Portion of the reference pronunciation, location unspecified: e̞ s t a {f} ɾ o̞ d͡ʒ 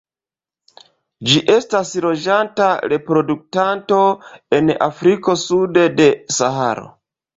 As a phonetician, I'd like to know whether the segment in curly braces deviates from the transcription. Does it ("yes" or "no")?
yes